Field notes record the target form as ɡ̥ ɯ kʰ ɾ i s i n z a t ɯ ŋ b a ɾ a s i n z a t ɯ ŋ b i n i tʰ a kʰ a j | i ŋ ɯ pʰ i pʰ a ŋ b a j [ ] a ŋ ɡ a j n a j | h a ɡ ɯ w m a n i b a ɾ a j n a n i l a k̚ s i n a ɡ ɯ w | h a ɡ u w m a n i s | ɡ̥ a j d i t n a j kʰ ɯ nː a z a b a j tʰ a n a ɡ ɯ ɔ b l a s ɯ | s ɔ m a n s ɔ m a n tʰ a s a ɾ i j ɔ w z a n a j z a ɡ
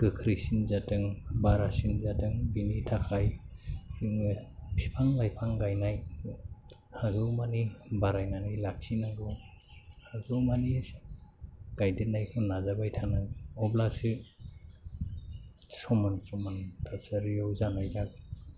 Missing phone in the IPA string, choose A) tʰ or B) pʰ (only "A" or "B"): B